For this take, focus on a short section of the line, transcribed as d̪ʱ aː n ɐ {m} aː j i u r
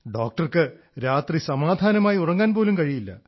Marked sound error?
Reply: no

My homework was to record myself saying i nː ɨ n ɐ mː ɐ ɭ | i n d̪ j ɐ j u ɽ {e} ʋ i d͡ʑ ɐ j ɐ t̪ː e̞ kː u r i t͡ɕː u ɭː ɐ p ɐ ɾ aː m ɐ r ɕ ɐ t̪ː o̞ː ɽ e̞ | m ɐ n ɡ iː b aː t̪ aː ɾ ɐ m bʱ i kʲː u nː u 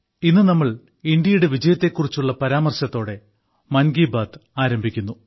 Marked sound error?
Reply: no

